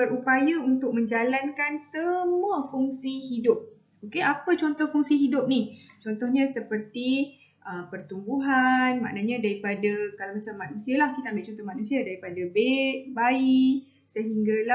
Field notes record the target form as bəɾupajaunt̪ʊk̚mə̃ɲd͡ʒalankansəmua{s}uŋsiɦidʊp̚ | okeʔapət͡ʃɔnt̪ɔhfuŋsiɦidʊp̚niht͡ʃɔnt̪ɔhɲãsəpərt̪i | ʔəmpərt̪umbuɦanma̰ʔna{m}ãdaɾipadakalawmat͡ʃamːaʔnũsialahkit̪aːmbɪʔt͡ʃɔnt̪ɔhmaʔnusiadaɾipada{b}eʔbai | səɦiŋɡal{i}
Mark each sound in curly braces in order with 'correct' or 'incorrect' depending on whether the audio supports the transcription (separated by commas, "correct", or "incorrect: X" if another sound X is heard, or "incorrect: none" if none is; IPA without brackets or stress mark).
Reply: incorrect: f, incorrect: ɲ, correct, incorrect: a